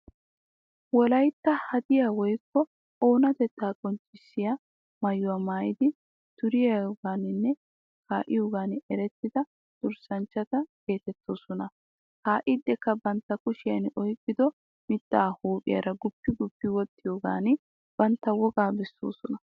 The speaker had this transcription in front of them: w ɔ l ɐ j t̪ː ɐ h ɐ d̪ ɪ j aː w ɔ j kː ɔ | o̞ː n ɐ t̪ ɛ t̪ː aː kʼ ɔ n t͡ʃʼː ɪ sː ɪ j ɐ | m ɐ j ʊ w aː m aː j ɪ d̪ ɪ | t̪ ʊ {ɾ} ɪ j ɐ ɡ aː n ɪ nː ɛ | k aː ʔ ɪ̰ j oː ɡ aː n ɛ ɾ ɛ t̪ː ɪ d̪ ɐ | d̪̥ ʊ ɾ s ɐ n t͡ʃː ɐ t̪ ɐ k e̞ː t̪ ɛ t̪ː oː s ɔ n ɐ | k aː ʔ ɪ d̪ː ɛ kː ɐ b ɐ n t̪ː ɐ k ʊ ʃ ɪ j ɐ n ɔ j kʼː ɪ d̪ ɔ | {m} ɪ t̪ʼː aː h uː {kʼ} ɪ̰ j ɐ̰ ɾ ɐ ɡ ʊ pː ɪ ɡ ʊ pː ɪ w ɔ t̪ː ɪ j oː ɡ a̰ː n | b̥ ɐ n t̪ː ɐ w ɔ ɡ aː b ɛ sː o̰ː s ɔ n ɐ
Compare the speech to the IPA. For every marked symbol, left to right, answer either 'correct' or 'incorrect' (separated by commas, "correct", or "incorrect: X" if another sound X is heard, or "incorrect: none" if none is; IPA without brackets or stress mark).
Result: correct, correct, incorrect: pʼ